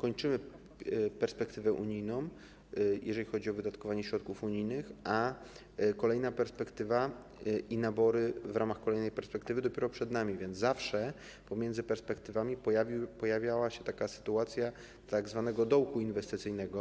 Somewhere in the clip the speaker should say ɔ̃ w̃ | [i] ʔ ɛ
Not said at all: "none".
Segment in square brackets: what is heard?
j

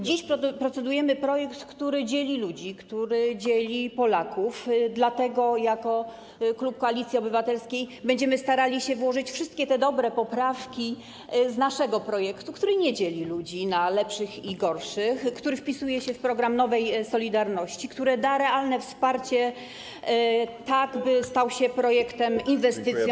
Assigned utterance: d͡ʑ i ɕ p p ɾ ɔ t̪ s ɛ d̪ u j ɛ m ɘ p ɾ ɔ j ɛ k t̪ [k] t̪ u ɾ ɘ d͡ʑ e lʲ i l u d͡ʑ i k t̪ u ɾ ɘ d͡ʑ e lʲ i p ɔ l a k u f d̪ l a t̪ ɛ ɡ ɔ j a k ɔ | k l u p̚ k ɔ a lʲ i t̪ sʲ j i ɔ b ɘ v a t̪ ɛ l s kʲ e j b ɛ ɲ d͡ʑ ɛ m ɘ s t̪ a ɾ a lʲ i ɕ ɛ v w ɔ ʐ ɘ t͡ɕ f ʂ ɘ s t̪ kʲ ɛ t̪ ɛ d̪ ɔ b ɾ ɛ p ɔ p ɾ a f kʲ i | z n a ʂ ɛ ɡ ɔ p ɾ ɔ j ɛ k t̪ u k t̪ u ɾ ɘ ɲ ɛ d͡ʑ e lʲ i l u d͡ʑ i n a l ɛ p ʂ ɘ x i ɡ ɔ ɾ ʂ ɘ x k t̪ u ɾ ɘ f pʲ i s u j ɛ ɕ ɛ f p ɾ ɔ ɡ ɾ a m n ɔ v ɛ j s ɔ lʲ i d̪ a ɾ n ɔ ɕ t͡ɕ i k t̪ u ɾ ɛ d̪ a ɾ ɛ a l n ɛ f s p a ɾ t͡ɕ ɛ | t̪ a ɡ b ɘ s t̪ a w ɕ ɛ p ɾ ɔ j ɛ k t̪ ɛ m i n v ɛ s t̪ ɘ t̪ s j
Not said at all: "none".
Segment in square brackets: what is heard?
k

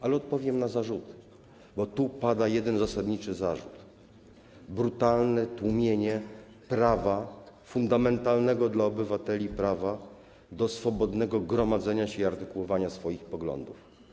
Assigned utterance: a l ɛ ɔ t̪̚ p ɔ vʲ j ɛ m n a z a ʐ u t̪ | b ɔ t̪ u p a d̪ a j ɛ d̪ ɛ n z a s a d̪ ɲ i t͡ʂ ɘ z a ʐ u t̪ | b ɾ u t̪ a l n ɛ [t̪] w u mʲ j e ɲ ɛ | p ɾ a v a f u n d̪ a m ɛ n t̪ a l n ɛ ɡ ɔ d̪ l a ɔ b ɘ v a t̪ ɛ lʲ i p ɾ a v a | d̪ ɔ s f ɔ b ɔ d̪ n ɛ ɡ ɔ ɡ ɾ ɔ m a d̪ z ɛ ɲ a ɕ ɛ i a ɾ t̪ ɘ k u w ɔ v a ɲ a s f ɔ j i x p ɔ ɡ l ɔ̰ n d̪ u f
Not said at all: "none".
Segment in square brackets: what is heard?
t̪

